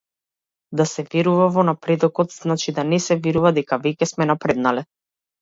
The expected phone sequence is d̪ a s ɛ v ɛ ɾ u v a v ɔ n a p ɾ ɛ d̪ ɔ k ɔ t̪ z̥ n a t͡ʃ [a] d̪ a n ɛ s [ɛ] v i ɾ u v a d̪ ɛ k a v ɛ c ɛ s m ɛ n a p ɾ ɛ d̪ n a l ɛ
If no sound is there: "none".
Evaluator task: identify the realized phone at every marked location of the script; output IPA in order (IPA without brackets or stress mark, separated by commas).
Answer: i, ɛ